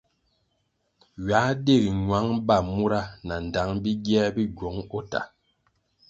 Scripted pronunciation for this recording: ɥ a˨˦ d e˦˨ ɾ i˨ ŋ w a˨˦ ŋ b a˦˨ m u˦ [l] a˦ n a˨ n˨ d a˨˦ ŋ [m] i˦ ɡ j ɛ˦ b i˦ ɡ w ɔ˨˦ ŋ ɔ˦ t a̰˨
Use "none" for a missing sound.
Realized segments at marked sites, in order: ɾ, b

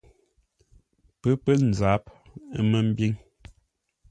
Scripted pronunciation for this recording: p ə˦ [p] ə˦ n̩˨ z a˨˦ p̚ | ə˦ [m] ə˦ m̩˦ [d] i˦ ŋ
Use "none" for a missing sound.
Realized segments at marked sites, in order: p, m, b

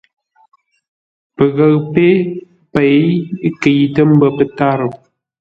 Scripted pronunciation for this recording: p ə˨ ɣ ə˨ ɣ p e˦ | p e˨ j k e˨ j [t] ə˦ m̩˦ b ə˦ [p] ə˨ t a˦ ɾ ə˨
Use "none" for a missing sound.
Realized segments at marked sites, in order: t, p

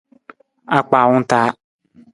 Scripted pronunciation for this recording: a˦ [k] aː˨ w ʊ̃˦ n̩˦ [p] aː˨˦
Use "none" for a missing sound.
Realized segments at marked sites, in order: k͡p, t

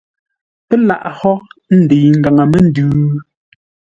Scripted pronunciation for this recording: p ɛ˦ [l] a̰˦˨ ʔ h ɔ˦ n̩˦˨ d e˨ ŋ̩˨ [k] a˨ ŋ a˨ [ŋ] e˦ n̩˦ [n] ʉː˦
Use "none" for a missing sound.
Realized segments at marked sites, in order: l, ɡ, m, d

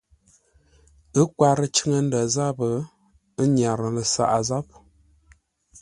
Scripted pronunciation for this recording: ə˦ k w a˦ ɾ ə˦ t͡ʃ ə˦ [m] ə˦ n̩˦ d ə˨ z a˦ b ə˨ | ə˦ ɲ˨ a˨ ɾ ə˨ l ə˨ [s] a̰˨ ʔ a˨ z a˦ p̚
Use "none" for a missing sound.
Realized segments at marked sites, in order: ŋ, s

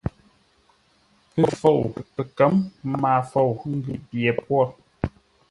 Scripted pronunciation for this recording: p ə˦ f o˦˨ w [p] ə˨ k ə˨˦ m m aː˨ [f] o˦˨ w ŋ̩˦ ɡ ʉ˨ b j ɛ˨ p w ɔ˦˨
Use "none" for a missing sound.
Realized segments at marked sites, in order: p, f

